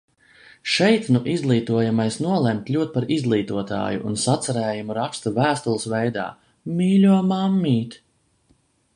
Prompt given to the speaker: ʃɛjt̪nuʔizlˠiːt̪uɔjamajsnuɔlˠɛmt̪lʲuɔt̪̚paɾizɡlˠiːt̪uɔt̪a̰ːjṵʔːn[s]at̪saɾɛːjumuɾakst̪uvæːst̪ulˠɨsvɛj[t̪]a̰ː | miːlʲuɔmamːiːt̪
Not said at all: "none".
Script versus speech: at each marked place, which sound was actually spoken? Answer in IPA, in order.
s, d̪

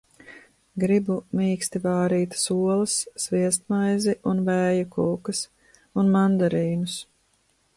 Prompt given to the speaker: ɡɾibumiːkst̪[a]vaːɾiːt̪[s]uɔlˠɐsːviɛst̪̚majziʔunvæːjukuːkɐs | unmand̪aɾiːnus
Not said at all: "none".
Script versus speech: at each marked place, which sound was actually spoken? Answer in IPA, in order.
i, s

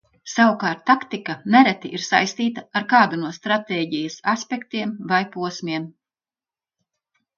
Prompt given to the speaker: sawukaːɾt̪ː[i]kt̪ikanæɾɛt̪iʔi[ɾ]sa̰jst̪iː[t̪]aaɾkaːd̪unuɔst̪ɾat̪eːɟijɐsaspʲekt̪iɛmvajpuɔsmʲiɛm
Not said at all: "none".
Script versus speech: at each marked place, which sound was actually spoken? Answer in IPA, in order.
a, ɾ, t̪

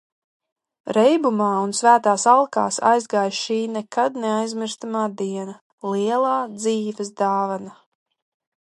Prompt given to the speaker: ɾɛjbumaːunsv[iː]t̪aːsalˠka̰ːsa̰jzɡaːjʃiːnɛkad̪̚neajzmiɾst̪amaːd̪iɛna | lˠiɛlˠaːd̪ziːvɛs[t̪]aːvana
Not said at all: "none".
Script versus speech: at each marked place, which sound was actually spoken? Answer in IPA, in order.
æː, d̪

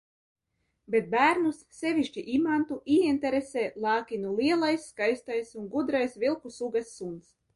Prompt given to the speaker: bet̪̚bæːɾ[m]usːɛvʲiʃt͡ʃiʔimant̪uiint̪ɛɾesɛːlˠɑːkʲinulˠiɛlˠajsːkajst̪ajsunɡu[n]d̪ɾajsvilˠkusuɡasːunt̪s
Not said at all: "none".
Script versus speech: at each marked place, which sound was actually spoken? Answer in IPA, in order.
n, none

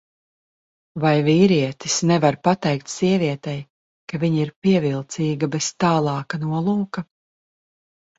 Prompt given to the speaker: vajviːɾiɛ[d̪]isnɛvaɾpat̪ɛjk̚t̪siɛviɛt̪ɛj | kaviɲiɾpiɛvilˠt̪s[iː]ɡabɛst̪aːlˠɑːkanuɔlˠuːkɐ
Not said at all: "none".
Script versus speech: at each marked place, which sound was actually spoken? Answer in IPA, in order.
t̪, iː

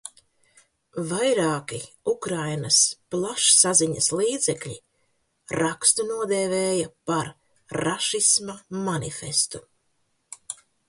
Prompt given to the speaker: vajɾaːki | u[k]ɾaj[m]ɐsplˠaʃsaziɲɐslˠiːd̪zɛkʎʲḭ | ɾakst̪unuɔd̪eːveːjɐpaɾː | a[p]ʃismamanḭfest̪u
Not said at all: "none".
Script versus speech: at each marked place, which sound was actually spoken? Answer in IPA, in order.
k, n, none

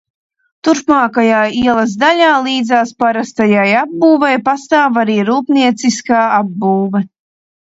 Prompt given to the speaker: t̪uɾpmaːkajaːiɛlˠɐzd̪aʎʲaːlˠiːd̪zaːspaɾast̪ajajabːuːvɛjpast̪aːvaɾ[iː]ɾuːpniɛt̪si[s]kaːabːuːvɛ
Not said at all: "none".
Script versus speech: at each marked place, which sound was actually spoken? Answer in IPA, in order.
iː, s

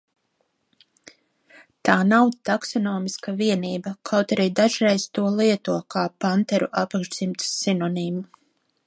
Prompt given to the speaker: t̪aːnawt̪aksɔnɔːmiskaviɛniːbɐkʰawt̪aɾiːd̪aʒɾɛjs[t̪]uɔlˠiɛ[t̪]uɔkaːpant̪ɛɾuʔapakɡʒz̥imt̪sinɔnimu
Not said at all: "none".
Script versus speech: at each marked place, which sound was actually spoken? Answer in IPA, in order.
t̪, t̪

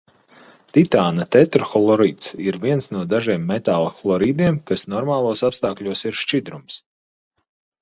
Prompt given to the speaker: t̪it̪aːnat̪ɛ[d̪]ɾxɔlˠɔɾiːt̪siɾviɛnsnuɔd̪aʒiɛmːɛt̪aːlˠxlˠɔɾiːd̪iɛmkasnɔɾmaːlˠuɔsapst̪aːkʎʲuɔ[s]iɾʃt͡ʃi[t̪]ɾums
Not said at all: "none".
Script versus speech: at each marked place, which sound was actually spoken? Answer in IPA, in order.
t̪, s, d̪

